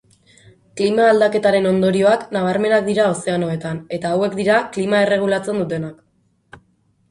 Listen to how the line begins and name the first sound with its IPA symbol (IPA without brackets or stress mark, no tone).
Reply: k